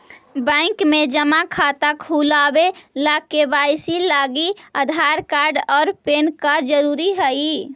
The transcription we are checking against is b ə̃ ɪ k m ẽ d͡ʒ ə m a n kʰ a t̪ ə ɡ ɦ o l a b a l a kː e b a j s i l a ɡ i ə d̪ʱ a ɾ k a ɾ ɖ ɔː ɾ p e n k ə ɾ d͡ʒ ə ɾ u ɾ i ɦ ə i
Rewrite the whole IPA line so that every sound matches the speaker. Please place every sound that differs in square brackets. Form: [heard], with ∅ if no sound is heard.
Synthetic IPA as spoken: b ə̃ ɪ k m [e] d͡ʒ ə m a [∅] kʰ a t̪ ə [k] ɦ [u] l a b [e] l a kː e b a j s i l a ɡ i ə d̪ʱ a ɾ k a ɾ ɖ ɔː ɾ p e n k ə ɾ d͡ʒ ə ɾ u ɾ i ɦ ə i

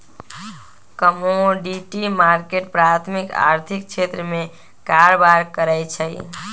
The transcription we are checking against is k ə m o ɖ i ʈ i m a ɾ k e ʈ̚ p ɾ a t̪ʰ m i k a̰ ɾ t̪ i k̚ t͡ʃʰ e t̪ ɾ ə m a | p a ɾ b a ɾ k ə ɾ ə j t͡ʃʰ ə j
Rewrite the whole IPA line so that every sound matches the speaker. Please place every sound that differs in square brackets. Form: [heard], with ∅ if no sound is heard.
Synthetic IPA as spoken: k ə m o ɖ i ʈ i m a ɾ k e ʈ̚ p ɾ a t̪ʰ m i k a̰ ɾ [t̪ʰ] i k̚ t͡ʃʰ e t̪ ɾ ə m [e] | [k] a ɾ b a ɾ k ə ɾ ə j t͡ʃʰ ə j

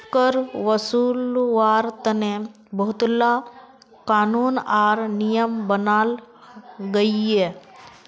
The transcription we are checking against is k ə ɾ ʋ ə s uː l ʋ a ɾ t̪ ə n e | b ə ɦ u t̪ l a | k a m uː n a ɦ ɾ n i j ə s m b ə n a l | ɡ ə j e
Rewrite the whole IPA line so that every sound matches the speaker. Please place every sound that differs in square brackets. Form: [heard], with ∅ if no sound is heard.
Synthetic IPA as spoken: k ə ɾ ʋ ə s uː l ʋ a ɾ t̪ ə n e | b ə ɦ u t̪ l a | k a [n] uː n a [∅] ɾ n i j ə [∅] m b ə n a l | ɡ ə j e

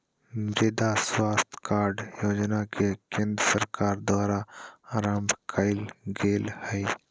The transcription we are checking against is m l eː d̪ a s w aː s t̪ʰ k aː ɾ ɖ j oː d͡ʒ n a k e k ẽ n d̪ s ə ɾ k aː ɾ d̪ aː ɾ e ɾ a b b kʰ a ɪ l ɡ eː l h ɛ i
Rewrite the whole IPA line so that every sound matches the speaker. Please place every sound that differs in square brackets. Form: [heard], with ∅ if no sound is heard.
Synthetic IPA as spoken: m [ɾ] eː d̪ a s w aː s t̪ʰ k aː ɾ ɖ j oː d͡ʒ n a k e k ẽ n d̪ s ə ɾ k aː ɾ d̪ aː ɾ [a] ɾ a [m] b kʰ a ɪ l ɡ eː l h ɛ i

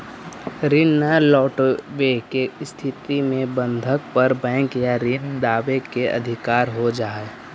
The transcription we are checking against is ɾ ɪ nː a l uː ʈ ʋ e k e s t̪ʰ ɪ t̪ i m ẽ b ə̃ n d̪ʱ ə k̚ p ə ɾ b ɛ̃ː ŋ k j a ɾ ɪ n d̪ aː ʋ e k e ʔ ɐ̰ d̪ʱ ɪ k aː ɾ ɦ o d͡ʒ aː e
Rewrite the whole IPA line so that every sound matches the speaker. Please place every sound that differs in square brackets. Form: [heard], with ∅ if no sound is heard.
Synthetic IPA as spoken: ɾ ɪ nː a l [ɔː] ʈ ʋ e k e s t̪ʰ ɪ t̪ i m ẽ b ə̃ n d̪ʱ ə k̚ p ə ɾ b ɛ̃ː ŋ k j a ɾ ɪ n d̪ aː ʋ e k e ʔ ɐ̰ d̪ʱ ɪ k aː ɾ ɦ o d͡ʒ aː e

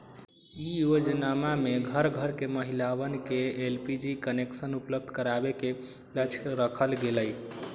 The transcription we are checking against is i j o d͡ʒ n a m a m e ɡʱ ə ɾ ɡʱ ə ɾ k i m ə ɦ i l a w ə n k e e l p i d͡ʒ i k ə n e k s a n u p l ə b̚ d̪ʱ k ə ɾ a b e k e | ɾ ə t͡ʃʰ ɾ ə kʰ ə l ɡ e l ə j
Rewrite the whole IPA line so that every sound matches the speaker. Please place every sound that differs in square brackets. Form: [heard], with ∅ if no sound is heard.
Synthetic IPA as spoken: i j o d͡ʒ n a m a m e ɡʱ ə ɾ ɡʱ ə ɾ k [e] m ə ɦ i l a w ə n k e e l p i d͡ʒ i k ə n e k s [ə] n u p l ə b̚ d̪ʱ k ə ɾ a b e k e | [l] ə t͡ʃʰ ɾ ə kʰ ə l ɡ e l ə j

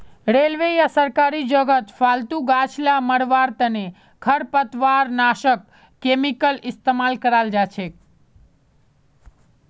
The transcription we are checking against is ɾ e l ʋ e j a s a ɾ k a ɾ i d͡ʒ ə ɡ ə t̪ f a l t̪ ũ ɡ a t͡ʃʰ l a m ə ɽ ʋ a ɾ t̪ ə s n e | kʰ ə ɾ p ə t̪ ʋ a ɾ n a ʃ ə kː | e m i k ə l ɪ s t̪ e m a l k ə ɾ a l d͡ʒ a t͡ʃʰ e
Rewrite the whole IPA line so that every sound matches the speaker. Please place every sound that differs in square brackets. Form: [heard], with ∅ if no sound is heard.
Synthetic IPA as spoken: ɾ e l ʋ e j a s [ə] ɾ k a ɾ i d͡ʒ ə ɡ ə t̪ f a l t̪ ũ ɡ a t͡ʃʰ l a m ə ɽ ʋ a ɾ t̪ ə [∅] n e | kʰ ə ɾ p ə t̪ ʋ a ɾ n a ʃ ə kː | e m i k ə l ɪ s t̪ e m a l k ə ɾ a l d͡ʒ a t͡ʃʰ e

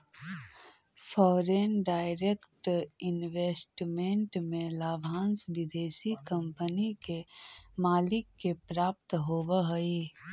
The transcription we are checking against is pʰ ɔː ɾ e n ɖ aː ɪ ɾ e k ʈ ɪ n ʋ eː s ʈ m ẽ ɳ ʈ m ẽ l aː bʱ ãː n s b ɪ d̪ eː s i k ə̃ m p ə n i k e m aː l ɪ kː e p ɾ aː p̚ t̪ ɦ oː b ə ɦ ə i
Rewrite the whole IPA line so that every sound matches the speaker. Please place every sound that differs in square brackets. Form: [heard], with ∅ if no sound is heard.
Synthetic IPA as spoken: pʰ ɔː ɾ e n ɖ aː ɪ ɾ e k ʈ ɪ n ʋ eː s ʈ m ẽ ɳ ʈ m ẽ l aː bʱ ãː n s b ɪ d̪ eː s i k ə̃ m p ə n i k e m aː l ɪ kː e p ɾ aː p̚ t̪ ɦ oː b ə ɦ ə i

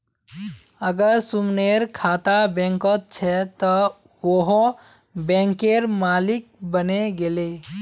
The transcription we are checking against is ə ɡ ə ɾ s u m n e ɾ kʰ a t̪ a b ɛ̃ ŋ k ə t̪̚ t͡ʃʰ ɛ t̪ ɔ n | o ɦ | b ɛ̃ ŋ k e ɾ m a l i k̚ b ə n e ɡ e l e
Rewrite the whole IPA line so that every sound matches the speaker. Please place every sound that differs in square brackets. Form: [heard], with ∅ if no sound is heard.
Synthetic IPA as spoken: ə ɡ ə ɾ s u m n e ɾ kʰ a t̪ a b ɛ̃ ŋ k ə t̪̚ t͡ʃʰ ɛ t̪ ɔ [∅] | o ɦ | b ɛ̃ ŋ k e ɾ m a l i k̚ b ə n e ɡ e l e

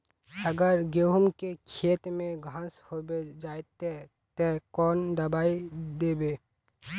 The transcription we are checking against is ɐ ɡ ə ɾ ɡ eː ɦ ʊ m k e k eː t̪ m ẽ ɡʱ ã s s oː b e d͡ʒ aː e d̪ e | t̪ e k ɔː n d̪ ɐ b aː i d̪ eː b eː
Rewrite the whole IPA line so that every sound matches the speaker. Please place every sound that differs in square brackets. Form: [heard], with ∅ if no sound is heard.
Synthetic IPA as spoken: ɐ ɡ ə ɾ ɡ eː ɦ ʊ m k e [kʰ] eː t̪ m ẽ ɡʱ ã s [h] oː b e d͡ʒ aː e [t̪] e | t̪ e k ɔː n d̪ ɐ b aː i d̪ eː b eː

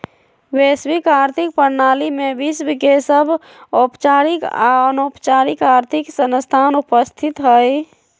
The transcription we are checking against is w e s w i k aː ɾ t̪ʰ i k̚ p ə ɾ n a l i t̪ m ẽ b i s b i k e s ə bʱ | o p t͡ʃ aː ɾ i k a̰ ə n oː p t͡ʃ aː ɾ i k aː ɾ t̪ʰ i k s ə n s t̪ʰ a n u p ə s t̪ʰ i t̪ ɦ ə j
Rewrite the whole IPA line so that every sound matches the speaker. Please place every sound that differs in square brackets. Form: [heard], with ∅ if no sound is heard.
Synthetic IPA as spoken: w e s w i k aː ɾ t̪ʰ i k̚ p ə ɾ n a l i [∅] m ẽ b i s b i k e s ə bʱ | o p t͡ʃ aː ɾ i k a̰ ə n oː p t͡ʃ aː ɾ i k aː ɾ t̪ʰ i k s ə n s t̪ʰ a n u p ə s t̪ʰ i t̪ ɦ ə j

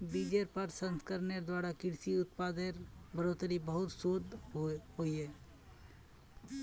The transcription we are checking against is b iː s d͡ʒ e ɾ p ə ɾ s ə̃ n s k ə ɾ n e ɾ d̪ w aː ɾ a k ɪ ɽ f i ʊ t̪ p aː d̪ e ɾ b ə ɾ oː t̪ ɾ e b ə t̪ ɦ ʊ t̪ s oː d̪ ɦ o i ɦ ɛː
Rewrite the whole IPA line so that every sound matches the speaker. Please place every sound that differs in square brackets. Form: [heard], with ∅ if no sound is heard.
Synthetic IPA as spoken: b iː [∅] d͡ʒ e ɾ p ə ɾ s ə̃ n s k ə ɾ n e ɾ d̪ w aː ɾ a k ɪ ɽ [s] i ʊ t̪ p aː d̪ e ɾ b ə ɾ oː t̪ ɾ [i] b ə [∅] ɦ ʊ t̪ s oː d̪ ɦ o i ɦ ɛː

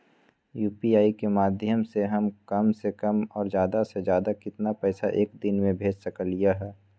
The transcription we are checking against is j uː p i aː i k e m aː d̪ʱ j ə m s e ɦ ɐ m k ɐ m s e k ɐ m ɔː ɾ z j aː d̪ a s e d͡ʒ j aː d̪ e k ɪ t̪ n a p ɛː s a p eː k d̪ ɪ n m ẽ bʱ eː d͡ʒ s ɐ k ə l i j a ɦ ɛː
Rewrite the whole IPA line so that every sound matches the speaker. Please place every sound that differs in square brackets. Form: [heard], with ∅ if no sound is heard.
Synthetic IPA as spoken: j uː p i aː i k e m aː d̪ʱ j ə m s e ɦ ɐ m k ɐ m s e k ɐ m ɔː ɾ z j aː d̪ a s e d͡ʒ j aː d̪ [a] k ɪ t̪ n a p ɛː s a [ʔ] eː k d̪ ɪ n m ẽ bʱ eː d͡ʒ s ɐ k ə l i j a ɦ ɛː

